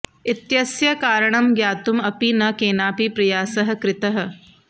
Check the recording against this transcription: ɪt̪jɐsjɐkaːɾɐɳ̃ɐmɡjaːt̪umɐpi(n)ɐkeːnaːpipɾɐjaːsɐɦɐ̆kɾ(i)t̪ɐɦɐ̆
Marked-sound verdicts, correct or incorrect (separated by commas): correct, incorrect